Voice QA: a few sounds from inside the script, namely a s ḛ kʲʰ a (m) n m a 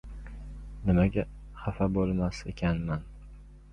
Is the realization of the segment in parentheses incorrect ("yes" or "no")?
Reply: yes